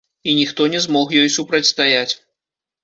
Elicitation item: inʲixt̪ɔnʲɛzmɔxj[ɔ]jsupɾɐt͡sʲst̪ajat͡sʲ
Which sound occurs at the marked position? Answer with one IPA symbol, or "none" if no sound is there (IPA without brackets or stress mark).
ɔ